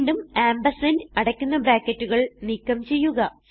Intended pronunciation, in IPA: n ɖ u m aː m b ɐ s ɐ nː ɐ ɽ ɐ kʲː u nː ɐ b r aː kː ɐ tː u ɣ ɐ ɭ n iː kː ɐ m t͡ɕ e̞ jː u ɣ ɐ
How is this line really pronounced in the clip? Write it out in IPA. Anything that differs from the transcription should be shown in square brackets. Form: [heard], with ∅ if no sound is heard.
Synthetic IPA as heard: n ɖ u m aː m b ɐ s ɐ [n] ɐ ɽ ɐ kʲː u nː ɐ b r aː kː ɐ tː u ɣ ɐ ɭ n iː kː ɐ m t͡ɕ e̞ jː u ɣ ɐ